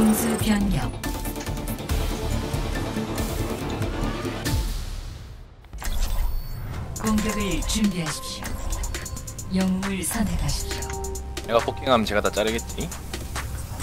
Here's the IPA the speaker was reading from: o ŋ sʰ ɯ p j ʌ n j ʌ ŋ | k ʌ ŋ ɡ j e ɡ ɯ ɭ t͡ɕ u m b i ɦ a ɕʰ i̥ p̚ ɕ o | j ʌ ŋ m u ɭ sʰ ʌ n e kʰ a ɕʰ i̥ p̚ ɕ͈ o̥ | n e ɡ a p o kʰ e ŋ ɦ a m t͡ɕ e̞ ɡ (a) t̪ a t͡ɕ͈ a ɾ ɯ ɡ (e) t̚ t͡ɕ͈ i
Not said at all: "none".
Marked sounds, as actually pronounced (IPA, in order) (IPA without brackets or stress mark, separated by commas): a, e